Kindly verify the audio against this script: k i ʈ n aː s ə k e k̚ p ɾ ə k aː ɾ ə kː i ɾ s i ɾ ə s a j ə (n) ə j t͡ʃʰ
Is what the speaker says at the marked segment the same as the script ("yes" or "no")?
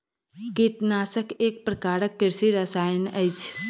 yes